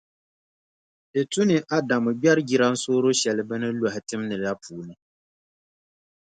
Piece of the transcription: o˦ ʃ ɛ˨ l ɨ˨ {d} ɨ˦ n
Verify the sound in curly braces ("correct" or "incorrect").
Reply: incorrect